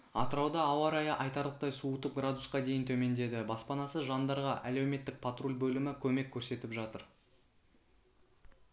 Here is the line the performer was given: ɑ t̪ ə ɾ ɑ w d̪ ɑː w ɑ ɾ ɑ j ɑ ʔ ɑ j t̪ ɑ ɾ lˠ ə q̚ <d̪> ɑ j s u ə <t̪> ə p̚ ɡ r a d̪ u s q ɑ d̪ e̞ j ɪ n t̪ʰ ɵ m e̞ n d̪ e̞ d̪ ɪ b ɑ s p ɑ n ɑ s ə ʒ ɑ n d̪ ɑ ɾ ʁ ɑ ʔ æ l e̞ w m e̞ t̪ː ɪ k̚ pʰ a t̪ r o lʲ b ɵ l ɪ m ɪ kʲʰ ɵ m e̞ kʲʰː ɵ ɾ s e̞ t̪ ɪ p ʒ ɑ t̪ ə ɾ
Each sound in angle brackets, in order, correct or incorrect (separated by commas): incorrect, correct